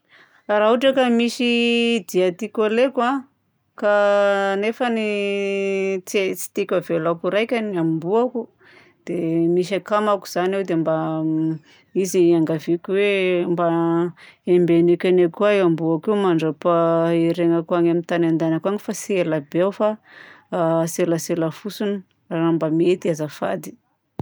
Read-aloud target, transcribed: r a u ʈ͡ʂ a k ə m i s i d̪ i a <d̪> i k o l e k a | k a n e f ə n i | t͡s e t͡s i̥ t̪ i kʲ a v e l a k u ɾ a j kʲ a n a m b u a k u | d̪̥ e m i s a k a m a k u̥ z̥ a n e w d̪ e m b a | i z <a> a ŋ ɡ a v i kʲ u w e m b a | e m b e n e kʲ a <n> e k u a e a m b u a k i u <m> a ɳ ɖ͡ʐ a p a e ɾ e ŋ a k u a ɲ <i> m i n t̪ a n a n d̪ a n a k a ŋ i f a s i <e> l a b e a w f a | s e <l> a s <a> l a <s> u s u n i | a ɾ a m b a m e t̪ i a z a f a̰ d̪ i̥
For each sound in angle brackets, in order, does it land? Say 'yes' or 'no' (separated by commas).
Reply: no, no, yes, yes, no, yes, yes, no, no